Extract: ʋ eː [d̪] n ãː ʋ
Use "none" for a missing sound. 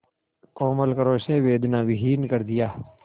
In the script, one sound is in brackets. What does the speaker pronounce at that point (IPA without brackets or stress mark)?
d̪